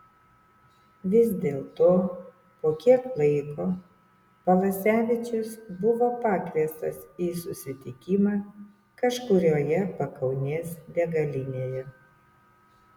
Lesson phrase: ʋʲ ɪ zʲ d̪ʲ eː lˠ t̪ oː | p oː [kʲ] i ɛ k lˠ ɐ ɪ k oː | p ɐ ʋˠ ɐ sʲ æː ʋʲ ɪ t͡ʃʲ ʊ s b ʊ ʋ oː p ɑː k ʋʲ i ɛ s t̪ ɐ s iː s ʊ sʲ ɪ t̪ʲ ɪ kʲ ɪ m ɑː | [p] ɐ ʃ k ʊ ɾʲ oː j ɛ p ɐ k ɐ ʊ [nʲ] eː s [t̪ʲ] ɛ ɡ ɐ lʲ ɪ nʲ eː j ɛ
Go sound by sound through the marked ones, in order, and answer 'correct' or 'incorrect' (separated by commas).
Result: correct, incorrect, correct, incorrect